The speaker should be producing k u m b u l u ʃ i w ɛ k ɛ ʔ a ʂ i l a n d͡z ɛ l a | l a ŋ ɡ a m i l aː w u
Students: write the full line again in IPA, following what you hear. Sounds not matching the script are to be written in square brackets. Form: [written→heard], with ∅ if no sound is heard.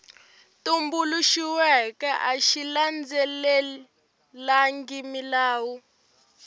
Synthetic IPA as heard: [k→t] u m b u l u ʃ i w ɛ k ɛ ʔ a [ʂ→ʃ] i l a n d͡z ɛ l [a→ɛ] | l a ŋ ɡ [a→i] m i l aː w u